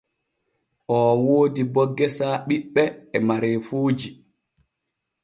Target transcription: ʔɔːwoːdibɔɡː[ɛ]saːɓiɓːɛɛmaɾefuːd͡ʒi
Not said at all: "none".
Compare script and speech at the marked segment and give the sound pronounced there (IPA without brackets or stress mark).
ɛ